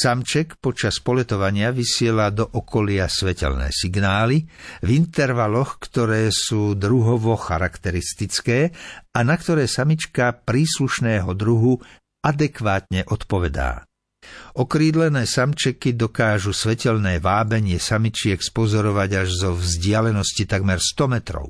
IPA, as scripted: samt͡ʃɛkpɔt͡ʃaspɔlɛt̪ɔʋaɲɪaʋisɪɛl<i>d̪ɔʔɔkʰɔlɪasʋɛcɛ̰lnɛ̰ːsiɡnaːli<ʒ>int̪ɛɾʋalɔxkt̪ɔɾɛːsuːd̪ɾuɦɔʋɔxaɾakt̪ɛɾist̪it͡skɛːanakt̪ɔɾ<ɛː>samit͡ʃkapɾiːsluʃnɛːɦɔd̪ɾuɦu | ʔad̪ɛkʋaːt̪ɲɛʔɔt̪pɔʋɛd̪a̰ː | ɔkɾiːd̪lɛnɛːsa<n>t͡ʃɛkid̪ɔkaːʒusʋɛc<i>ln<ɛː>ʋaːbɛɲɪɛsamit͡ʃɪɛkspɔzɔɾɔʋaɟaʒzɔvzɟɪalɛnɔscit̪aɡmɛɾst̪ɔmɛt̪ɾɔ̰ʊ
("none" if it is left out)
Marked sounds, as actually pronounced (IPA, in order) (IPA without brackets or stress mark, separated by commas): a, v, ɛː, m, ɛ, ɛː